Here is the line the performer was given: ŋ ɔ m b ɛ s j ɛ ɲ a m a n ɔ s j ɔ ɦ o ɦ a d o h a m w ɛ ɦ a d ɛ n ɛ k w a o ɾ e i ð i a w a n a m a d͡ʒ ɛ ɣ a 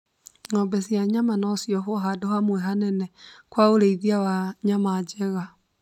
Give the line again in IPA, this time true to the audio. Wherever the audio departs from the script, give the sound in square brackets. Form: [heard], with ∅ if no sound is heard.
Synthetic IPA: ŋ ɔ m b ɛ s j [a] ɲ a m a n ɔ s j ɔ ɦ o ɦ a d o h a m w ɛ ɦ a [n] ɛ n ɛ k w a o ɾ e i ð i a w a [ɲ] a m a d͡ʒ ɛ ɣ a